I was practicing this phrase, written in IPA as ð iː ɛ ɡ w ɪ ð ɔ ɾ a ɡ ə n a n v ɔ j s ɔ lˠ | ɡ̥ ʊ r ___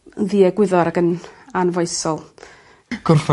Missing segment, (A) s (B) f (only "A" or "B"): B